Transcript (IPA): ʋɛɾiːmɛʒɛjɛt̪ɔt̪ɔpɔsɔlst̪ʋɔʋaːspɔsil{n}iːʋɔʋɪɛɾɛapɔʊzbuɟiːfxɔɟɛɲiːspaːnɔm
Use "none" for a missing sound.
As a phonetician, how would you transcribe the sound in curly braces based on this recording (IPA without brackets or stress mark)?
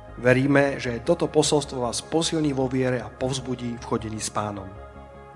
ɲ